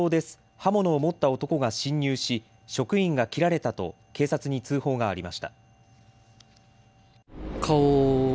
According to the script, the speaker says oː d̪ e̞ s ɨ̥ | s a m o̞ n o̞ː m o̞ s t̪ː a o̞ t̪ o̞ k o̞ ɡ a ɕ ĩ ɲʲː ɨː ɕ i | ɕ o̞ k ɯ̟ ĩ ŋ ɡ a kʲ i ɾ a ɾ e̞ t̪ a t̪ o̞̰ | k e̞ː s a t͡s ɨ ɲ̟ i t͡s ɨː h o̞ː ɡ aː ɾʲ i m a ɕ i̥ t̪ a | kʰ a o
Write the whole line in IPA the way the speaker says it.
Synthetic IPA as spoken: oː d̪ e̞ s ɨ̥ | h a m o̞ n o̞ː m o̞ t̪ː a o̞ t̪ o̞ k o̞ ɡ a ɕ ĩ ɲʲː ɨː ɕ i | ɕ o̞ k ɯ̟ ĩ ŋ ɡ a kʲ i ɾ a ɾ e̞ t̪ a t̪ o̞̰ | k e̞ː s a t͡s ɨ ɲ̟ i t͡s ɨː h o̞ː ɡ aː ɾʲ i m a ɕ i̥ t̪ a | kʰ a o